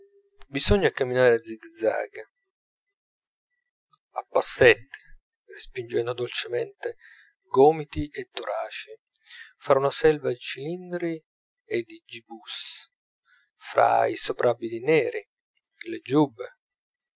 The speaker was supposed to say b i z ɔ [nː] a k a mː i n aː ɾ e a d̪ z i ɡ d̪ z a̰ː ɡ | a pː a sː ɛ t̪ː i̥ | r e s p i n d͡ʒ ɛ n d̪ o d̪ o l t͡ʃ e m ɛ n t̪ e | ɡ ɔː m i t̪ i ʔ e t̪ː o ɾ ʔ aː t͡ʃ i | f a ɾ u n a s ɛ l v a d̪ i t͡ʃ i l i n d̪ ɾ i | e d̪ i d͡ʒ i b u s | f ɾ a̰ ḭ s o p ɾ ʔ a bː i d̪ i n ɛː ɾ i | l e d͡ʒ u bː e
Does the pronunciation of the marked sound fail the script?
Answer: yes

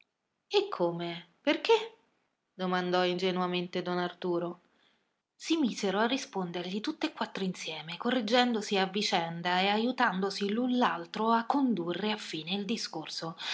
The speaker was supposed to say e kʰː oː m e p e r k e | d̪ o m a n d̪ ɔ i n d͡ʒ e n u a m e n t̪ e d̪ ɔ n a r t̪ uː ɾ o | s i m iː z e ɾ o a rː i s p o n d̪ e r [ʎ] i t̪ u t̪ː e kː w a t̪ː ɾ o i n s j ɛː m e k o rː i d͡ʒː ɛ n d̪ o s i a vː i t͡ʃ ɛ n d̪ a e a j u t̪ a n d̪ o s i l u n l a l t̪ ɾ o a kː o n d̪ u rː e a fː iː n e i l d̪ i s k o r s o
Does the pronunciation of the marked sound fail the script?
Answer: no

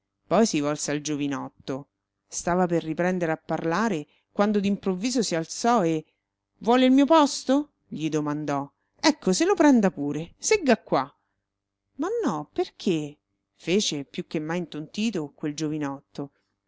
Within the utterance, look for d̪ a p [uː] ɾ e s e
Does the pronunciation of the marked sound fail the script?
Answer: no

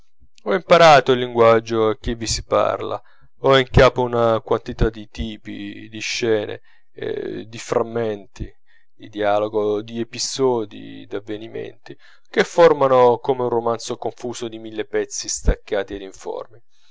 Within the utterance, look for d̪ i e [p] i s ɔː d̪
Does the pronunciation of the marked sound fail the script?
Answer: no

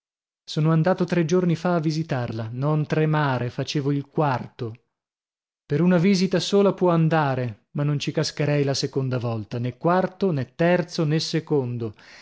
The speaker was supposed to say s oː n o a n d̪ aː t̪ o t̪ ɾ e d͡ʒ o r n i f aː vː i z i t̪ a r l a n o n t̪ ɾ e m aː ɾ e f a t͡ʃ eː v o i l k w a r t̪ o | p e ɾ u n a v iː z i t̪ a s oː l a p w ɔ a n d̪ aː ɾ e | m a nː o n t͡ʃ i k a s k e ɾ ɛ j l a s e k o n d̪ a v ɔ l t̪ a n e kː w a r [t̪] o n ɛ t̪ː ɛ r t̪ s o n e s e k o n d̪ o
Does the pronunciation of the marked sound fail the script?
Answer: no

